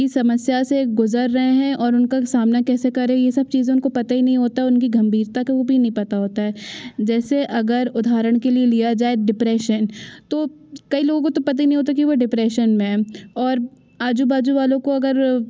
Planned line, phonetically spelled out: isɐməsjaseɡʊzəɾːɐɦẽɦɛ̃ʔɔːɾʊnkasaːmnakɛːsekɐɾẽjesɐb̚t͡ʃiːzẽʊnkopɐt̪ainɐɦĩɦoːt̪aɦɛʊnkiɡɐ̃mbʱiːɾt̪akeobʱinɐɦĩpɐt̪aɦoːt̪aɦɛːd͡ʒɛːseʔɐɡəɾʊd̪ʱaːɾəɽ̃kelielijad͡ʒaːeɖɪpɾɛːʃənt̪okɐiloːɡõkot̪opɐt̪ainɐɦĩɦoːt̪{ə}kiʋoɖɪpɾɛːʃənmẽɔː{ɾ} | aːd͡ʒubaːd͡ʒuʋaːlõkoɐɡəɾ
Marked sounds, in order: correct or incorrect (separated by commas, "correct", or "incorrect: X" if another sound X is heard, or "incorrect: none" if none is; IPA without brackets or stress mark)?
incorrect: a, correct